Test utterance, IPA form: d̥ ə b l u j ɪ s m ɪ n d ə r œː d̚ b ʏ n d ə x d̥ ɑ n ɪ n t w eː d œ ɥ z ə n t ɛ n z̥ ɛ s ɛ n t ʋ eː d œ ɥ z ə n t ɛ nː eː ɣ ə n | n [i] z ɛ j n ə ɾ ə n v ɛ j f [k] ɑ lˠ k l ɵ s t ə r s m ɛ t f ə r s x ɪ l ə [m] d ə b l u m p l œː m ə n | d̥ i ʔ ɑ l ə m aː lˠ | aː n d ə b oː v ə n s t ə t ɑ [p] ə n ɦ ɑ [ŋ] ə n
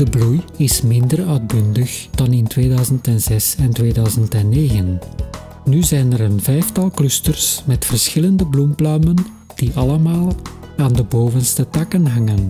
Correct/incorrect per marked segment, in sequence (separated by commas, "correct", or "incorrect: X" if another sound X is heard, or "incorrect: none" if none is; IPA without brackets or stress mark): incorrect: y, incorrect: t, incorrect: n, incorrect: k, correct